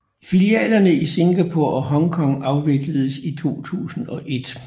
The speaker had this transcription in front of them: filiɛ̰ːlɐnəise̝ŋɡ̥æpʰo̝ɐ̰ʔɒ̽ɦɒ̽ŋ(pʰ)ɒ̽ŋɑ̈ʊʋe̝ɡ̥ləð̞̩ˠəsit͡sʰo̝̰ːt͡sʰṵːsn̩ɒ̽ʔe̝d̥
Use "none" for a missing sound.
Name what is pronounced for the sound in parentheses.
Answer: kʰ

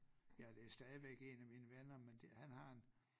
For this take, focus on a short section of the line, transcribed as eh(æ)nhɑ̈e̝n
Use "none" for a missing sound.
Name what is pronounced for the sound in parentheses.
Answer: æ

